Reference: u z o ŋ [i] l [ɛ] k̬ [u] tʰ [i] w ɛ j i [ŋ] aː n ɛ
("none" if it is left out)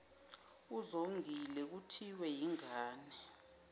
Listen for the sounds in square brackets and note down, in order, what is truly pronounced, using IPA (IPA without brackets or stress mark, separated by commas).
i, ɛ, u, i, ŋ